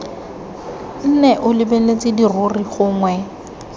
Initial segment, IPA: n̩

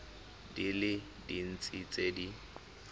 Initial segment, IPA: d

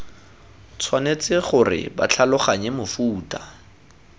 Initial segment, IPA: t͡sʰ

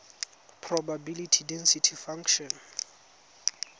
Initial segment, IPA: pʰ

